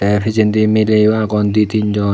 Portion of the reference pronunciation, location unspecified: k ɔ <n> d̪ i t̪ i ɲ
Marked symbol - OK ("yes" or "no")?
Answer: yes